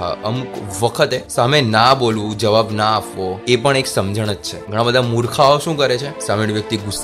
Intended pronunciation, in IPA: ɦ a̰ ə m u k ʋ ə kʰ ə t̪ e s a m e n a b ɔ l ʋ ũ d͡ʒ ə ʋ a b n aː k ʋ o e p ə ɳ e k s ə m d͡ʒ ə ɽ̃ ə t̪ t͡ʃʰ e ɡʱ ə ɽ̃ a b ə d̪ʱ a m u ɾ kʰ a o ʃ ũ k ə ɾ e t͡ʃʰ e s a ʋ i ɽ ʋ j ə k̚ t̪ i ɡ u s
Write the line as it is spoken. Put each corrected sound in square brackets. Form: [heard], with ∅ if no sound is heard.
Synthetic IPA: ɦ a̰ ə m u k ʋ ə kʰ ə t̪ e s a m e n a b [o] l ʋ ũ d͡ʒ ə ʋ a b n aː [p] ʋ o e p ə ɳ e k s ə m d͡ʒ ə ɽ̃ ə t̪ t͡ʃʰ e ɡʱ ə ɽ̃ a b ə d̪ʱ a m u ɾ kʰ a o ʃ ũ k ə ɾ e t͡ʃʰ e s a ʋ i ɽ ʋ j ə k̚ t̪ i ɡ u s